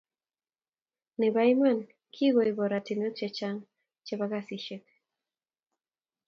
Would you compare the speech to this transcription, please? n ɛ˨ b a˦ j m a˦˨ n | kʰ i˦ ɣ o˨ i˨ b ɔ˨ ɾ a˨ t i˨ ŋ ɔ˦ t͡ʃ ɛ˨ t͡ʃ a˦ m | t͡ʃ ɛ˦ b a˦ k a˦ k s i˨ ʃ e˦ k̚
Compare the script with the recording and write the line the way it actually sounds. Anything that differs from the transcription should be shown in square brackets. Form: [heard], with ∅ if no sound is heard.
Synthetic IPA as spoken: n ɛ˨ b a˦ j m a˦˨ n | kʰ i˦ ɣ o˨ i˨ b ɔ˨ ɾ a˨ t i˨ [n] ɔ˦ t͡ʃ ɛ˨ t͡ʃ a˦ [ŋ] | t͡ʃ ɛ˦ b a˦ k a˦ [∅] s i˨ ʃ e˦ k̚